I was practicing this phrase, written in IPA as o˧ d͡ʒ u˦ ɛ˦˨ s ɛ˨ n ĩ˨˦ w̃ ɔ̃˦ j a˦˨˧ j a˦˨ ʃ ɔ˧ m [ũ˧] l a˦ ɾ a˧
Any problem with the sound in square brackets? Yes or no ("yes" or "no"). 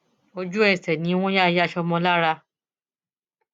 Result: yes